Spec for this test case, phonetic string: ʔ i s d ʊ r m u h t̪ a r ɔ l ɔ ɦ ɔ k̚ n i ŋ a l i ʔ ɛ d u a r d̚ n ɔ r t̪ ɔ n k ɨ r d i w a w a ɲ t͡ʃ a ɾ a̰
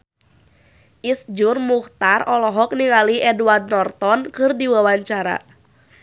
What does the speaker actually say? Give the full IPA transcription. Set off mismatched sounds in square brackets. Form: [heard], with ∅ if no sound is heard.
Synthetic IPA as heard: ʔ i s [d͡ʒ] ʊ r m u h t̪ a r ɔ l ɔ ɦ ɔ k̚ n i ŋ a l i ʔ ɛ d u a r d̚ n ɔ r t̪ ɔ n k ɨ r d i w a w a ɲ t͡ʃ a ɾ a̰